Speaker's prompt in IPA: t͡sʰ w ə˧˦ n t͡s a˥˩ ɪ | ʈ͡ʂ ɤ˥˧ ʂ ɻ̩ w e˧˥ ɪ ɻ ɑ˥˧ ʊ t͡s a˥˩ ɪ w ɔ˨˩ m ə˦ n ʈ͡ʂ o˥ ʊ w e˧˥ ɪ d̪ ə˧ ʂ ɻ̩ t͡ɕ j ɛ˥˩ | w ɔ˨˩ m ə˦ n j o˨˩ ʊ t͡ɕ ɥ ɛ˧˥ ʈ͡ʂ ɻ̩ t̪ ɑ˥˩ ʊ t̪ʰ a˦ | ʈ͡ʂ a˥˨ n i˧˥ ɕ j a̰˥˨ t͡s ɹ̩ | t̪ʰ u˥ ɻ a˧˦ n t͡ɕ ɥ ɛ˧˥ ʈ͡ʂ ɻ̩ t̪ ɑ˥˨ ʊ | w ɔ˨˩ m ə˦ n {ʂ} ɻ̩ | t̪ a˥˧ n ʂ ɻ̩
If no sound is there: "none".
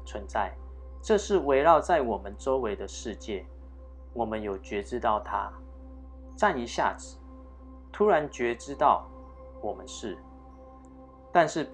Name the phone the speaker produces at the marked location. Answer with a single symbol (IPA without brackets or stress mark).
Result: ʂ